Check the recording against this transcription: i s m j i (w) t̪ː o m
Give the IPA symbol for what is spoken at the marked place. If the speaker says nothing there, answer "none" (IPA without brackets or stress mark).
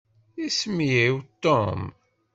w